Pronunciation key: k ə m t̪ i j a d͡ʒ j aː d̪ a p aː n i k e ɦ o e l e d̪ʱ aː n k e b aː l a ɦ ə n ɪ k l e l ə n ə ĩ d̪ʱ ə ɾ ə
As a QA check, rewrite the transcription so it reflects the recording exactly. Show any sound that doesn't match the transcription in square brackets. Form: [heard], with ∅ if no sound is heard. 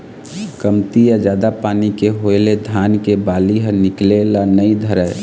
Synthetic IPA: k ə m t̪ i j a d͡ʒ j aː d̪ a p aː n i k e ɦ o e l e d̪ʱ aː n k e b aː l [i] ɦ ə n ɪ k l e l [a] n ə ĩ d̪ʱ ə ɾ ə